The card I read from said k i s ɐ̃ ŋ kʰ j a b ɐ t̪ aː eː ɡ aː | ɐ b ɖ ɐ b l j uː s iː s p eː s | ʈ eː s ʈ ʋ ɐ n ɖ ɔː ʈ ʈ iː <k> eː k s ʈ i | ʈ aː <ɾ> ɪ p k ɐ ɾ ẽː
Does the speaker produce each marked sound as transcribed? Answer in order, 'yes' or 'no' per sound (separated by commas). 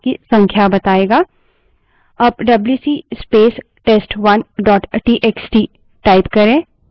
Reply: no, no